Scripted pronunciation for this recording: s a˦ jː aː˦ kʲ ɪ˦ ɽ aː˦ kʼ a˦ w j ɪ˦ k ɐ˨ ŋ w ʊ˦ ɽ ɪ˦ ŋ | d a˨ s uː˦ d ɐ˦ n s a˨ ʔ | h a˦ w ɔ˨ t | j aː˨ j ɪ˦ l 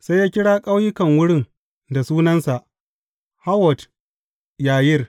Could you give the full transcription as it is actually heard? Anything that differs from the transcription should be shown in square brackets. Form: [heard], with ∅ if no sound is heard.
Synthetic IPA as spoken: s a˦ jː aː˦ kʲ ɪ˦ ɽ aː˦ kʼ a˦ w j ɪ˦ k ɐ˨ ŋ w ʊ˦ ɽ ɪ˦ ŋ | d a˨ s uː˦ [n] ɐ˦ n s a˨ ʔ | h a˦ w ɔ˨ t | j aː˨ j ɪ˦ [r]